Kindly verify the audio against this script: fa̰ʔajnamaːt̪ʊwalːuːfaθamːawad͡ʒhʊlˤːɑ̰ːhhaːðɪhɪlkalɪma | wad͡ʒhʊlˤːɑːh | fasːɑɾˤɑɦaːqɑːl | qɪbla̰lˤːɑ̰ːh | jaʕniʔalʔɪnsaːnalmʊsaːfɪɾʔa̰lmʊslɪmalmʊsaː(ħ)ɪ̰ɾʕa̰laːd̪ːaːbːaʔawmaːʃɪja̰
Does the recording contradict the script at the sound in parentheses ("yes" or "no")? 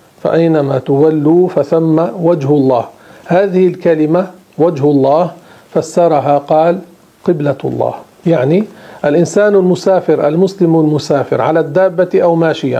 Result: yes